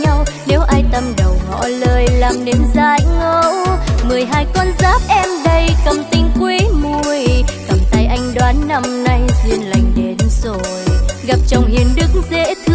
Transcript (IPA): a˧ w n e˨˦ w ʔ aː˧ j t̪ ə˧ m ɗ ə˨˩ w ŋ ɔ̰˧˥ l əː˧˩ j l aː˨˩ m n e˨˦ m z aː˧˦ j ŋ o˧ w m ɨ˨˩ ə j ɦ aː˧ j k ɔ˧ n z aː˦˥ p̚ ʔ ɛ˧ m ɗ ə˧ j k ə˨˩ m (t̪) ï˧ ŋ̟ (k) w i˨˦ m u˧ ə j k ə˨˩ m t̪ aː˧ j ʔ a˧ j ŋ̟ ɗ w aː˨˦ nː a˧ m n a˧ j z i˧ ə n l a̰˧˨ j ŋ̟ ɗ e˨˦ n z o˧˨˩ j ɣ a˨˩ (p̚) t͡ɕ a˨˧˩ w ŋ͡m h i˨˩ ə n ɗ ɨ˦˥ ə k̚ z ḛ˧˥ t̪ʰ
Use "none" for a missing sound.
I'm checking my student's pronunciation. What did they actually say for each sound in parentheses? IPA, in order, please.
t̪, k, p̚

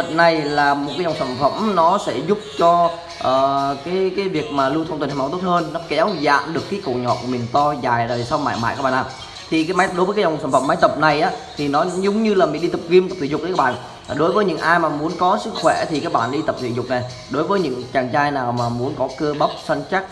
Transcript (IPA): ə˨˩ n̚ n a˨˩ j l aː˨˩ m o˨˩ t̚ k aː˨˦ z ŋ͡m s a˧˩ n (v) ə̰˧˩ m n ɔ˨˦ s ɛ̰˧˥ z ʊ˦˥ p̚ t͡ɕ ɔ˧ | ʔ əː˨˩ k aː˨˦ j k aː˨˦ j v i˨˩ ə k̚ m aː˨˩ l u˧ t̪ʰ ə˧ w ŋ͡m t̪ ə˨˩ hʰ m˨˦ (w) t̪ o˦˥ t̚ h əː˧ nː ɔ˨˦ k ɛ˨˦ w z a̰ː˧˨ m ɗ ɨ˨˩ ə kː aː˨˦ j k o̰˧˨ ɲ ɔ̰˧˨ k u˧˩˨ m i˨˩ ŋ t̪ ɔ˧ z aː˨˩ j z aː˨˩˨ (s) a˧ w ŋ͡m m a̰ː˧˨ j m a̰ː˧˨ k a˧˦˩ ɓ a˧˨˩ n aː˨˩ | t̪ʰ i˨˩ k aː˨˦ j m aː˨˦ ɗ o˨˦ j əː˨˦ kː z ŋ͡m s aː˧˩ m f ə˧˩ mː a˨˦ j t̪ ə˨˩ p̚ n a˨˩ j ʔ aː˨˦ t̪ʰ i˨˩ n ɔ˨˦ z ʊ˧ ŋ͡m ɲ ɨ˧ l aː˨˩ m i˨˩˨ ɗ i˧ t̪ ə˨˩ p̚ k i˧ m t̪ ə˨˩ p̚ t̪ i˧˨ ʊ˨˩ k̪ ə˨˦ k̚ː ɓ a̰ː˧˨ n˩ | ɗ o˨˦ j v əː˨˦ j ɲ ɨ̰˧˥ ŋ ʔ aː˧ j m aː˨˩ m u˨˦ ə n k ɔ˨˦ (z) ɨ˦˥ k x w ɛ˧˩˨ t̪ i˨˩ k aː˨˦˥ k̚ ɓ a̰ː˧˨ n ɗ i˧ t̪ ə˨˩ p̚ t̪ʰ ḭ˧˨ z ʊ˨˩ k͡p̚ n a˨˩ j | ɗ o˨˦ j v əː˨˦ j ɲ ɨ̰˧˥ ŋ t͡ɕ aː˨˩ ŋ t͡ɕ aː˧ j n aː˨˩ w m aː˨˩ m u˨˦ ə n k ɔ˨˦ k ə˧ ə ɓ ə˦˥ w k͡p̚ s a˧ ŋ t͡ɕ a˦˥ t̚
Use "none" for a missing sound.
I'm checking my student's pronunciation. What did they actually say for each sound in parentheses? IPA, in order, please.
f, w, s, s

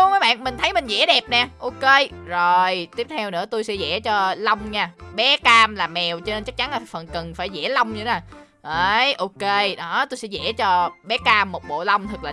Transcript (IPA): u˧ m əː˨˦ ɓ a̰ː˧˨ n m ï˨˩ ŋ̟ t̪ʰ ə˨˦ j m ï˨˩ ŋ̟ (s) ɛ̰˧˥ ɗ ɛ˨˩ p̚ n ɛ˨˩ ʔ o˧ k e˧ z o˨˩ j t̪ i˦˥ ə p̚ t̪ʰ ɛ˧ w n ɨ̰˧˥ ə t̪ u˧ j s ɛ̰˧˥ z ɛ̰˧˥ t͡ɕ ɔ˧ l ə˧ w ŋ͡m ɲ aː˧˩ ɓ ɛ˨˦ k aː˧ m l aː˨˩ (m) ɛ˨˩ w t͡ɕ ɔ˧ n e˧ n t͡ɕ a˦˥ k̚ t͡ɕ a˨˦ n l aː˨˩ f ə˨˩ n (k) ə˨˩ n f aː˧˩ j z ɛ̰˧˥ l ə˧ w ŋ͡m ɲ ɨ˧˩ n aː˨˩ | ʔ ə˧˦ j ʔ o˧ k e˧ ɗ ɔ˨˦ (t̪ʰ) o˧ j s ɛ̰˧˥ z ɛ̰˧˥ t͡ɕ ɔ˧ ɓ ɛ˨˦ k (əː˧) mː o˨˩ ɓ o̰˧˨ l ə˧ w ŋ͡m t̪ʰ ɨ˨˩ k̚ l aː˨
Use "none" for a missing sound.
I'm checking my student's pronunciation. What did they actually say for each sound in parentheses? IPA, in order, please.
z, m, k, t̪, aː˧

